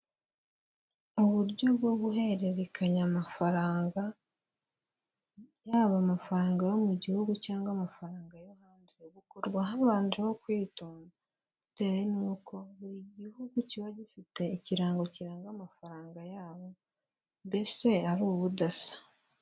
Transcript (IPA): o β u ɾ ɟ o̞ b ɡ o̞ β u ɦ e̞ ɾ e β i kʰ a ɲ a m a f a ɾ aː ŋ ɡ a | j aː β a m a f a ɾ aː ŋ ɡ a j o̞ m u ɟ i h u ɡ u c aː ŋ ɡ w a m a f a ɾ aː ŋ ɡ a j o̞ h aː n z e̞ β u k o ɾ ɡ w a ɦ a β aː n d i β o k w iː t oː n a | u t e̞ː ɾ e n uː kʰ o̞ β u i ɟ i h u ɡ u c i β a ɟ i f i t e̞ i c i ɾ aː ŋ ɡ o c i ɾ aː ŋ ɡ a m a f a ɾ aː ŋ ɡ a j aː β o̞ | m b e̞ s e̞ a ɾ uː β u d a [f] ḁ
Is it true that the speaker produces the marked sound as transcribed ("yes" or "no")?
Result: no